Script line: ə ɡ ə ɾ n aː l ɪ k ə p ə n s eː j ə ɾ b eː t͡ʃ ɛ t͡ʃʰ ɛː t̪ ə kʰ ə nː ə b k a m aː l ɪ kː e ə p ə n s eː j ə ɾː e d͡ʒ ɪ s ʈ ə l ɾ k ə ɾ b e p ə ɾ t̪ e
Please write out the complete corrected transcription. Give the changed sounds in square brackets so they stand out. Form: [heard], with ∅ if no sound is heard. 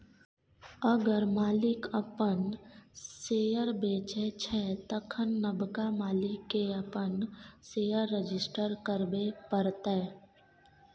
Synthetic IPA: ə ɡ ə ɾ [m] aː l ɪ k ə p ə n s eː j ə ɾ b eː t͡ʃ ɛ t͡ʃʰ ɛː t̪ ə kʰ ə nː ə b k a m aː l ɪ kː e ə p ə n s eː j ə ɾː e d͡ʒ ɪ s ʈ ə [∅] ɾ k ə ɾ b e p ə ɾ t̪ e